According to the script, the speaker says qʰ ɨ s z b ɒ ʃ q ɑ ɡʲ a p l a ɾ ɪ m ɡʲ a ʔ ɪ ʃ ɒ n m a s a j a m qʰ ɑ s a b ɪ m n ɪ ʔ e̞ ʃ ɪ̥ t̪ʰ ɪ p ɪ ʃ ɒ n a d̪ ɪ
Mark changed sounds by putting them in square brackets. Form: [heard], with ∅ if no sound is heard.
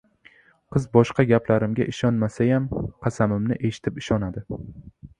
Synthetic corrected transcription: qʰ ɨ [∅] z b ɒ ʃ q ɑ ɡʲ a p l a ɾ ɪ m ɡʲ a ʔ ɪ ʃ ɒ n m a s a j a m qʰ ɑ s a [m] ɪ m n ɪ ʔ e̞ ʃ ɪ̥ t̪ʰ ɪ p ɪ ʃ ɒ n a d̪ ɪ